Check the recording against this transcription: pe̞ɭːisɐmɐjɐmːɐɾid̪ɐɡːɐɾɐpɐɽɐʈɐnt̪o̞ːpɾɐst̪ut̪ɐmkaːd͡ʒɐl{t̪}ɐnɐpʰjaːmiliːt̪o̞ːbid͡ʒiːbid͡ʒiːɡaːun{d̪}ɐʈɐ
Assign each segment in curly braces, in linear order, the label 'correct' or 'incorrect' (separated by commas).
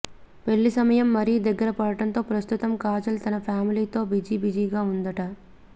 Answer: correct, correct